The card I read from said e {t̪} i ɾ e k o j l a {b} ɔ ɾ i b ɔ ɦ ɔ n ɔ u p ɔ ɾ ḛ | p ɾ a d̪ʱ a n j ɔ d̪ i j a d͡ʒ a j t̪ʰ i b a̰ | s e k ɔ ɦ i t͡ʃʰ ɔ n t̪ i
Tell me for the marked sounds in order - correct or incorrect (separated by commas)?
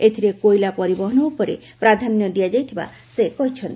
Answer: incorrect, incorrect